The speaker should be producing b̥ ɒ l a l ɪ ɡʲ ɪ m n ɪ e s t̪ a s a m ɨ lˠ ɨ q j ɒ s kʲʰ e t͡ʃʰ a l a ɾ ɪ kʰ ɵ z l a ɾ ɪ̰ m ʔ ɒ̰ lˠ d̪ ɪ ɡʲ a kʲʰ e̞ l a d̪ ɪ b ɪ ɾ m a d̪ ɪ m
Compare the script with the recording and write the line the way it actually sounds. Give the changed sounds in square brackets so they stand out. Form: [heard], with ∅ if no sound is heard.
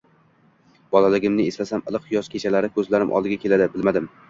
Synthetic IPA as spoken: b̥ ɒ l a l ɪ ɡʲ ɪ m n ɪ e s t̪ a s a m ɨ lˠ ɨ q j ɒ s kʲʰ e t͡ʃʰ a l a ɾ ɪ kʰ ɵ z l a ɾ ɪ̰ m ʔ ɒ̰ lˠ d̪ ɪ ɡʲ a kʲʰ e̞ l a d̪ ɪ b ɪ [l] m a d̪ ɪ m